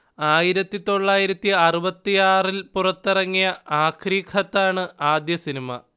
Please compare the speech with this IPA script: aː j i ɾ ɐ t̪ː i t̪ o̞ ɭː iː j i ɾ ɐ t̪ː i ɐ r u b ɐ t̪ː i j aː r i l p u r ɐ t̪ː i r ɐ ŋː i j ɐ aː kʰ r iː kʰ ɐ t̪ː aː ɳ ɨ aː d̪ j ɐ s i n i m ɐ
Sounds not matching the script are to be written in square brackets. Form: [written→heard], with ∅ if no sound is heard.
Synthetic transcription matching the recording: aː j i ɾ ɐ t̪ː i t̪ o̞ ɭː [iː→aː] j i ɾ ɐ t̪ː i ɐ r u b ɐ t̪ː i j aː r i l p u r ɐ t̪ː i r ɐ ŋː i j ɐ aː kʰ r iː kʰ ɐ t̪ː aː ɳ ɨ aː d̪ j ɐ s i n i m ɐ